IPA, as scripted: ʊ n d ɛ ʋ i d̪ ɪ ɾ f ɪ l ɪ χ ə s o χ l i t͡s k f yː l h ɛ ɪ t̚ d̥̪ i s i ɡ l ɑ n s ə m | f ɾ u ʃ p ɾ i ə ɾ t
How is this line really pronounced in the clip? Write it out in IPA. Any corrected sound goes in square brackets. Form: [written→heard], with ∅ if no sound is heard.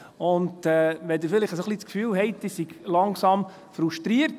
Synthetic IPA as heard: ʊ n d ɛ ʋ [i→ɛ] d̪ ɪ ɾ f ɪ l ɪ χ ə s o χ l i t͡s k f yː l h ɛ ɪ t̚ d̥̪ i s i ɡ l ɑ [n→ŋ] s [ə→ɑ] m | f ɾ u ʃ [p→t] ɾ i ə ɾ t